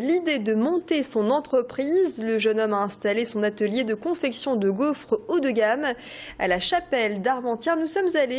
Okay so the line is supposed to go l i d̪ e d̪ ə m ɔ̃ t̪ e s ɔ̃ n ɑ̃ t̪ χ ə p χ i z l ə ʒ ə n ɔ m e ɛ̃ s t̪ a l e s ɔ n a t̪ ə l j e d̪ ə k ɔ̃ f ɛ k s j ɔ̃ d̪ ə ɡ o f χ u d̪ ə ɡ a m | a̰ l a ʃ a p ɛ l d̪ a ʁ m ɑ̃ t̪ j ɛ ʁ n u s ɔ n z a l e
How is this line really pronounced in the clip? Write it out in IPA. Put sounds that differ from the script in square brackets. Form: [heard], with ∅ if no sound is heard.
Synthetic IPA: l i d̪ e d̪ ə m ɔ̃ t̪ e s ɔ̃ n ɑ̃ t̪ χ ə p χ i z l ə ʒ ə n ɔ m [a] ɛ̃ s t̪ a l e s [ɔ̃] n a t̪ ə l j e d̪ ə k ɔ̃ f ɛ k s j ɔ̃ d̪ ə ɡ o f χ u d̪ ə ɡ a m | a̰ l a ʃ a p ɛ l d̪ a ʁ m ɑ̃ t̪ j ɛ ʁ n u s ɔ [m] z a l e